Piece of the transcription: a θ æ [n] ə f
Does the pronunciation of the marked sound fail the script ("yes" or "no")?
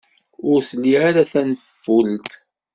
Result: no